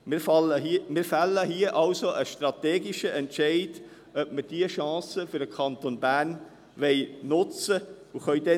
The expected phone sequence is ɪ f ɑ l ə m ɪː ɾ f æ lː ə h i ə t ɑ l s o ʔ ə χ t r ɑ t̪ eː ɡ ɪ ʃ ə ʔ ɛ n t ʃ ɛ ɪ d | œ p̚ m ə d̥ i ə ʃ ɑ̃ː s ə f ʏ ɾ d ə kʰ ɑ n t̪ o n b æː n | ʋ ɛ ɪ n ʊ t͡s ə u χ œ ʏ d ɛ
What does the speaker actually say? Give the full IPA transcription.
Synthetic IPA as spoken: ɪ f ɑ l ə m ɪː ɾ f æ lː ə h i ə ʔ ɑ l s o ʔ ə ʃ t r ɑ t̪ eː ɡ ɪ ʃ ə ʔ ɛ n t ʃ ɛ ɪ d | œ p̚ m ə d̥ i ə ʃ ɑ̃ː s ə f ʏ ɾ d ə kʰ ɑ n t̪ o n b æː n | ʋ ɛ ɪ n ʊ t͡s ə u χ œ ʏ d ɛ